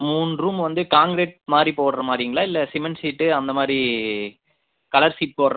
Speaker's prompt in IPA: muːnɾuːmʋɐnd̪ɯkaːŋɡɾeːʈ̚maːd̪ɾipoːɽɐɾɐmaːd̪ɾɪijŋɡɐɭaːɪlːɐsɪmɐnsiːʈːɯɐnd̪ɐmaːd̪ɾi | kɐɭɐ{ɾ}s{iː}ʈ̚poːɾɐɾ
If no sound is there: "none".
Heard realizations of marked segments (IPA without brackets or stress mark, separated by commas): ɾ, iː